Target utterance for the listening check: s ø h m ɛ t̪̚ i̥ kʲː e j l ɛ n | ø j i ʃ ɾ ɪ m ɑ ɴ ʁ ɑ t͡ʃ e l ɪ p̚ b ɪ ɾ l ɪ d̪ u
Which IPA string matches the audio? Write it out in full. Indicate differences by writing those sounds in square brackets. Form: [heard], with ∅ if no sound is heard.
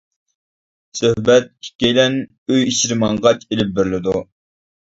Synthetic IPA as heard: s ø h [b] ɛ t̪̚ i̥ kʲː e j l ɛ n | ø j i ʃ ɾ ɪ m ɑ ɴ ʁ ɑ t͡ʃ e l ɪ p̚ b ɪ ɾ l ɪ d̪ u